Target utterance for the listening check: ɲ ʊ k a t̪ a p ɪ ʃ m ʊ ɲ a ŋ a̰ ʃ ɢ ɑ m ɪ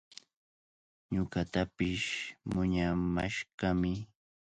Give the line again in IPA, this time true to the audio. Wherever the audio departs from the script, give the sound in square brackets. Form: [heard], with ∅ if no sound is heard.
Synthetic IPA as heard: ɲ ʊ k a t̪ a p ɪ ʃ m ʊ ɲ a [m] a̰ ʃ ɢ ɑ m ɪ